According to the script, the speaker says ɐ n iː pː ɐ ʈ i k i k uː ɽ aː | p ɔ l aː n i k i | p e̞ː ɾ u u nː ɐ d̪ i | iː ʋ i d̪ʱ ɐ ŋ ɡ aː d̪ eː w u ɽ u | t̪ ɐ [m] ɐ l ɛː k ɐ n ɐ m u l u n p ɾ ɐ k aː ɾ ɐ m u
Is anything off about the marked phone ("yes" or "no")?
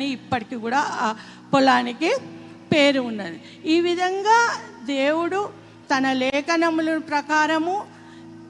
yes